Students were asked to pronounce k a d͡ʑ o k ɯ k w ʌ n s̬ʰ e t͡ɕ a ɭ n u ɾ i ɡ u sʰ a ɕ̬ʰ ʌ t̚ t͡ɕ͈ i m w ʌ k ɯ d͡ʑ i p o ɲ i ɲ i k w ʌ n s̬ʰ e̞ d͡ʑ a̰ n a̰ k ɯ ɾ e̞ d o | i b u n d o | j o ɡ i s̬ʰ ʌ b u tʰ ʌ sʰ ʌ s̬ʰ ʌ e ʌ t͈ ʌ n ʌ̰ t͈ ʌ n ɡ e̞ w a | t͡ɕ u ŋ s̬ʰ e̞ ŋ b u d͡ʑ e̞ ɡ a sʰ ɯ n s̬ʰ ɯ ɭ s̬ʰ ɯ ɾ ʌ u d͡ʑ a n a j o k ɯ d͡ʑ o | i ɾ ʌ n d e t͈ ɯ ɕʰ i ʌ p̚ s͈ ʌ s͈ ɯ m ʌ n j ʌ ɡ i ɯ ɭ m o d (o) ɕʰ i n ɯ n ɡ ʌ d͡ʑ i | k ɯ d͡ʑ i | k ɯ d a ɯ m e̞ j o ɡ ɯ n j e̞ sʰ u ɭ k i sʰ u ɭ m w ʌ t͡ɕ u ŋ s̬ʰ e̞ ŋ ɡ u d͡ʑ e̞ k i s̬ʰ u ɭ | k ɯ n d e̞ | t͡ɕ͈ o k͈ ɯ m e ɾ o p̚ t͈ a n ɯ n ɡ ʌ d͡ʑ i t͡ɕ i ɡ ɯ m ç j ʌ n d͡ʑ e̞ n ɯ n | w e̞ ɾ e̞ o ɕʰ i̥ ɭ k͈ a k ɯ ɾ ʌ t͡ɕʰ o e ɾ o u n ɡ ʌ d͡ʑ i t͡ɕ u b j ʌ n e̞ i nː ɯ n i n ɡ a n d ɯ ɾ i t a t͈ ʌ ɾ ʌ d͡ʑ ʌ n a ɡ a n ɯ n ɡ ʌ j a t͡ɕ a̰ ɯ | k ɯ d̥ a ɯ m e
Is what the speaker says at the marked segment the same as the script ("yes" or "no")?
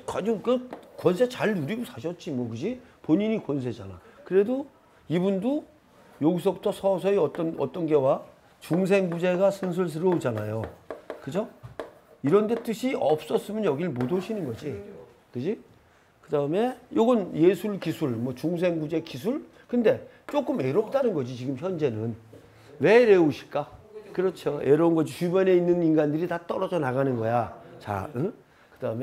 yes